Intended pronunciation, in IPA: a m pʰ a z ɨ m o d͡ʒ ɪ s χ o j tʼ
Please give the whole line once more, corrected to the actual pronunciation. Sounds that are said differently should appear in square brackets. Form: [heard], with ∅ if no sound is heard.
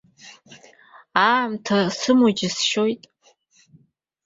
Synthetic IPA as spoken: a m [tʰ] a [s] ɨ m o d͡ʒ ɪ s [ʃ] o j tʼ